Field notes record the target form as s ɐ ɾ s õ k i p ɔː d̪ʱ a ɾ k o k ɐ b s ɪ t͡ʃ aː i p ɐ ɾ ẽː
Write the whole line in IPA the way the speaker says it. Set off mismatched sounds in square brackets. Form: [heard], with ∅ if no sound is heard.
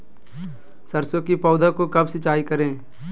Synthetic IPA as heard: s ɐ ɾ s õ k i p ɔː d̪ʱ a [∅] k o k ɐ b s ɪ t͡ʃ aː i [k] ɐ ɾ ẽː